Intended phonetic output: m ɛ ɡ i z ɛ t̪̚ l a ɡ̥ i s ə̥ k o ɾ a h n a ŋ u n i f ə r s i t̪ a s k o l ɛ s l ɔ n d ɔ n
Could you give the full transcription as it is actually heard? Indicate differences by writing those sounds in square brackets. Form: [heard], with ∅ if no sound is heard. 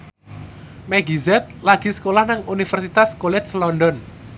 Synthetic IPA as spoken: m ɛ ɡ i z ɛ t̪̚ l a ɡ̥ i s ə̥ k o [l] a h n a ŋ u n i f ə r s i t̪ a s k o l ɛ s l ɔ n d ɔ n